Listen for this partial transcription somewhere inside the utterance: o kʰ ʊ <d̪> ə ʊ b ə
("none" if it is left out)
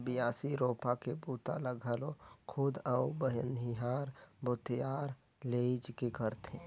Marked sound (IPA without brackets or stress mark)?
d̪